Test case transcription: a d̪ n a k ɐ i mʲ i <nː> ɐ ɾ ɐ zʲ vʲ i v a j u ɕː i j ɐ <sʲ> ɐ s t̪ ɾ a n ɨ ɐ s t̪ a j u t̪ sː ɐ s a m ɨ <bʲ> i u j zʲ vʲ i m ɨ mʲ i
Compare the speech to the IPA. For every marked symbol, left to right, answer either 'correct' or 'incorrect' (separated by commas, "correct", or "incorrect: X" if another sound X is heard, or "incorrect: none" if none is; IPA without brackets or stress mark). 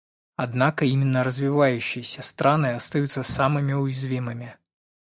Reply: correct, correct, incorrect: mʲ